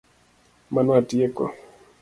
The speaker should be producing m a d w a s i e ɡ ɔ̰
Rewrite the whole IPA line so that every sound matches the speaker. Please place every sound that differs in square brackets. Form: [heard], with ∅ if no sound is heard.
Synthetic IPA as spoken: m a [n] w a [t] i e [k] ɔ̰